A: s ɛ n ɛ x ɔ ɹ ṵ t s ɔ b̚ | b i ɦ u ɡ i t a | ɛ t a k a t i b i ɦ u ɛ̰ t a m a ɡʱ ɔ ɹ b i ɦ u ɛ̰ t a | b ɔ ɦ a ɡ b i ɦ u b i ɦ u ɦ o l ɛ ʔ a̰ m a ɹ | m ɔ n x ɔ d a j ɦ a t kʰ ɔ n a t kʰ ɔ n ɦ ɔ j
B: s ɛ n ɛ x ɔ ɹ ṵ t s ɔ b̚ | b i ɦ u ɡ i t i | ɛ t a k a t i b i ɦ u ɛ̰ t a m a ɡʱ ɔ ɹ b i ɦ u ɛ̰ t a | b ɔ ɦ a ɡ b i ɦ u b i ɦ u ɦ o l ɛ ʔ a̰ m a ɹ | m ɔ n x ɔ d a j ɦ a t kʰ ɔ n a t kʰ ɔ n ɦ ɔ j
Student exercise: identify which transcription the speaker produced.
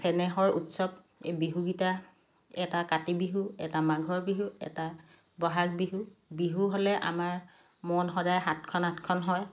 A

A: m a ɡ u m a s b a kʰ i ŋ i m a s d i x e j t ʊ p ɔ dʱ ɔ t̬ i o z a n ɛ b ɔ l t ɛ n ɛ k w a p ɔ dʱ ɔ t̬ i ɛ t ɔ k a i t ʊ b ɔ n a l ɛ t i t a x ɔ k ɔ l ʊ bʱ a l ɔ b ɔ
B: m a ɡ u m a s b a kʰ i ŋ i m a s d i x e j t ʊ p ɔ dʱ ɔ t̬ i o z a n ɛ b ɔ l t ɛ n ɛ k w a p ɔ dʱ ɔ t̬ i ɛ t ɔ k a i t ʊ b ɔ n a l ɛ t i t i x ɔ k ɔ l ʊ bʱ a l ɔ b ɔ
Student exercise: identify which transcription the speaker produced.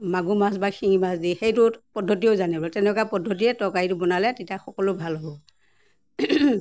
A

